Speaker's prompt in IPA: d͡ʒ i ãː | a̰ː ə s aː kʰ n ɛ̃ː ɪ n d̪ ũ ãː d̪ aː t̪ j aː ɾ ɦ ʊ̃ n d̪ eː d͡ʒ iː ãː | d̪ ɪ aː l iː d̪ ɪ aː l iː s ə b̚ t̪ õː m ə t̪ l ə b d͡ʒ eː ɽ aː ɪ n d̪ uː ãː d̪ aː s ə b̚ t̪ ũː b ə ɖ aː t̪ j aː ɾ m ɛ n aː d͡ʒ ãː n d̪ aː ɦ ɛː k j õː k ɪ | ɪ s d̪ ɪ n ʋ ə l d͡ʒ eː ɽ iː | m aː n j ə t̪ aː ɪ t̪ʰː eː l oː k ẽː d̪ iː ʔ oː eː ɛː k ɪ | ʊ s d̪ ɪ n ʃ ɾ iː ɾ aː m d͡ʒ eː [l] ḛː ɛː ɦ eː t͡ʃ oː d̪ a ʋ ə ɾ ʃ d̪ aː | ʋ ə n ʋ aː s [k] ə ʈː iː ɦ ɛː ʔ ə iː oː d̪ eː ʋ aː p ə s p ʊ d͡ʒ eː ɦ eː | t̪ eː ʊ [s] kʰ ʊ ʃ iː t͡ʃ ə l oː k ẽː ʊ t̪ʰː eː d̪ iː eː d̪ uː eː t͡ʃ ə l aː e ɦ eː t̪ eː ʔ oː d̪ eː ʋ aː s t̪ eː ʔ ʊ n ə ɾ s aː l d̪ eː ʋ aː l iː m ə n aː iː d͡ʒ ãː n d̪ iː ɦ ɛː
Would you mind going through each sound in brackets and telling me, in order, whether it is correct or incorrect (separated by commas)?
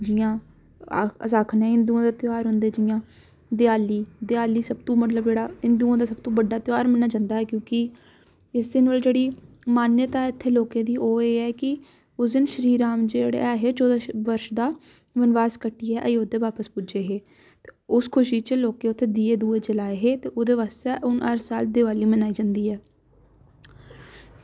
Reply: incorrect, correct, correct